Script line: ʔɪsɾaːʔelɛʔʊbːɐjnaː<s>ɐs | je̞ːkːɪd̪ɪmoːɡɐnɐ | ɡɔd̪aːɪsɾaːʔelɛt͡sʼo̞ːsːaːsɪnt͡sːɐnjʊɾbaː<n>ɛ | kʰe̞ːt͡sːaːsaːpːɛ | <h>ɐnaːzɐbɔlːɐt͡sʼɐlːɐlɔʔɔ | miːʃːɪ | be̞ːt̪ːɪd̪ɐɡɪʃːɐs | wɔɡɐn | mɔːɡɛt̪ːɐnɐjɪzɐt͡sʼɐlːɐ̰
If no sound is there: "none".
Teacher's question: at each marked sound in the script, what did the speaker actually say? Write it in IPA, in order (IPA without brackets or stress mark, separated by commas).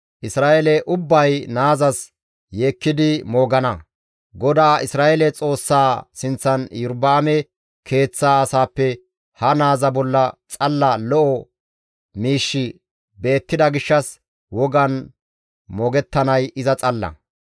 z, m, h